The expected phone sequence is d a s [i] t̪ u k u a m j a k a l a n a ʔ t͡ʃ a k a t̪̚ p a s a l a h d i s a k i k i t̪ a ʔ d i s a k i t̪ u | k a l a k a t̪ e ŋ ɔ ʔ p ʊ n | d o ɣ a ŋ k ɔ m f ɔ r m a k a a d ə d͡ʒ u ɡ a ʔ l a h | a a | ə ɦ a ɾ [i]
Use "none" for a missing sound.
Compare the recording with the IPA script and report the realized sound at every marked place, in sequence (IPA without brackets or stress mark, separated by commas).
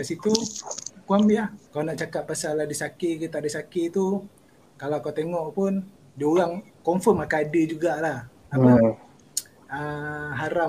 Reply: i, a